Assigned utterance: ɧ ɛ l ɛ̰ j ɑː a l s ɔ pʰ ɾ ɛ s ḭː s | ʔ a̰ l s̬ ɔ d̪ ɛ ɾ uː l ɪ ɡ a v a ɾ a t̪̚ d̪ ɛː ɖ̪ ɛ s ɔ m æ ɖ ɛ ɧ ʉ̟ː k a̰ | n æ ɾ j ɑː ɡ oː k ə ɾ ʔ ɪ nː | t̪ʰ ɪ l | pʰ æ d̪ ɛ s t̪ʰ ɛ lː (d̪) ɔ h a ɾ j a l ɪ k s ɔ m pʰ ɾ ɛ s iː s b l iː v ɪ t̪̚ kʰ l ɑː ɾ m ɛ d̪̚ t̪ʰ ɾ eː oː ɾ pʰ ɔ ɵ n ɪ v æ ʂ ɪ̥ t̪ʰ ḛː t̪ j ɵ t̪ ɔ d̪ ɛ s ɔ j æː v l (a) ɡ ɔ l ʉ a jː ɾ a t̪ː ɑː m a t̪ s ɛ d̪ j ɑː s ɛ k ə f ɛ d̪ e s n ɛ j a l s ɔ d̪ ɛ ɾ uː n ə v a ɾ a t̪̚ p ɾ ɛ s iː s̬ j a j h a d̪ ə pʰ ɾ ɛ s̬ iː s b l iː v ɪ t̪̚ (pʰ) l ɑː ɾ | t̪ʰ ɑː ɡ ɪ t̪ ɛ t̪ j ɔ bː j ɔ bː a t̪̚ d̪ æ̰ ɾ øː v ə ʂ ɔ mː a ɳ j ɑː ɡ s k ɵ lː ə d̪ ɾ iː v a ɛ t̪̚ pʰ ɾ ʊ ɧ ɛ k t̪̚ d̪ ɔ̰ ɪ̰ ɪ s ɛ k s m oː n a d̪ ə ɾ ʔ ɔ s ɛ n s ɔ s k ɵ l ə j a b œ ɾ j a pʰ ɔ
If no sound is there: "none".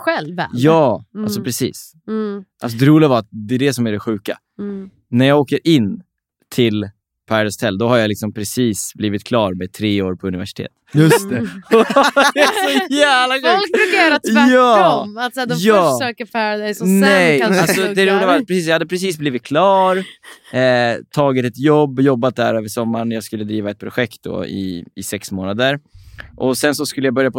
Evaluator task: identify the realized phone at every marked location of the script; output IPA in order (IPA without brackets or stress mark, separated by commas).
d̪, a, kʰ